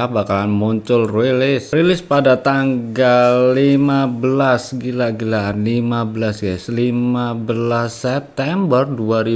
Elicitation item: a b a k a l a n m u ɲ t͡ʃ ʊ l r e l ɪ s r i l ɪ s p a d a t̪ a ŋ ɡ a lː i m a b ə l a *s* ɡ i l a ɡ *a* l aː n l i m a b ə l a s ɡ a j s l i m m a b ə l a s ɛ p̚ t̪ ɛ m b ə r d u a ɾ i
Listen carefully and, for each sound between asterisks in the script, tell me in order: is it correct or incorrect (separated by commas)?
correct, incorrect